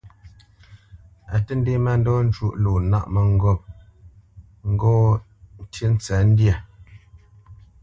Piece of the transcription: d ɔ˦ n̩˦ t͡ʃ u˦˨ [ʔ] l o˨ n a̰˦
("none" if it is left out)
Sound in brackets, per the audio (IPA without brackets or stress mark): ʔ